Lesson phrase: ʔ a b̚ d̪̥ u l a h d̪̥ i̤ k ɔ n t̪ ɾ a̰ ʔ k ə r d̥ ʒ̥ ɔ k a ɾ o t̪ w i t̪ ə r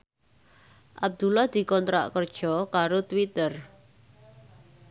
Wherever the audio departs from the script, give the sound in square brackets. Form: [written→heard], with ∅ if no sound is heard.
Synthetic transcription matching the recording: ʔ a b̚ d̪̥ u l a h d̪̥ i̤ k ɔ n t̪ ɾ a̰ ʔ k ə r d̥ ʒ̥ ɔ k a ɾ o t̪ w i t̪ ə r